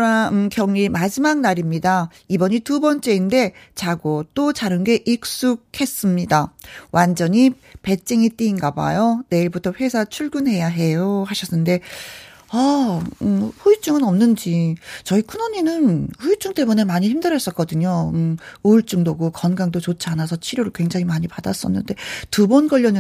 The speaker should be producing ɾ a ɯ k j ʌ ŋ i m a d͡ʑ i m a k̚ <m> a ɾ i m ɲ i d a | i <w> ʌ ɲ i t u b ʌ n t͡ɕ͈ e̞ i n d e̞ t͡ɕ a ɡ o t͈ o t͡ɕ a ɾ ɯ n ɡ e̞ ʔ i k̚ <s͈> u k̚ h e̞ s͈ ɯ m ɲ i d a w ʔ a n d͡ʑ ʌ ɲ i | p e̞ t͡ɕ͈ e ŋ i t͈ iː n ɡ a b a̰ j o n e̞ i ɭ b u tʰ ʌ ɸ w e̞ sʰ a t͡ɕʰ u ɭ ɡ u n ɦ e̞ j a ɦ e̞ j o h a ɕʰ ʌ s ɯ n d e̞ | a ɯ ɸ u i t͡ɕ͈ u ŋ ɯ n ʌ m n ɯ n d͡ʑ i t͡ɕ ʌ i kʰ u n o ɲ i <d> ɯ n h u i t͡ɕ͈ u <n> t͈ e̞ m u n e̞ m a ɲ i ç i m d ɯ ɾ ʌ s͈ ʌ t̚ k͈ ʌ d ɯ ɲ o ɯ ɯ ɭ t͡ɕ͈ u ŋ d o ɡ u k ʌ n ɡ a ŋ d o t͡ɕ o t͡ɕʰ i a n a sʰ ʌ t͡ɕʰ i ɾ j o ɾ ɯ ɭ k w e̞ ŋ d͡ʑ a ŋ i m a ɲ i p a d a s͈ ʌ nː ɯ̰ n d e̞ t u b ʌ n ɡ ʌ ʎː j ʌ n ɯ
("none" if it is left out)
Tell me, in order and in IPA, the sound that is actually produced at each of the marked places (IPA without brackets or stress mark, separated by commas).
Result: n, b, s͈, n, ŋ